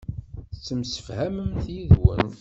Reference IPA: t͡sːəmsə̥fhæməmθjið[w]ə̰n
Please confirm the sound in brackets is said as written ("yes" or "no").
yes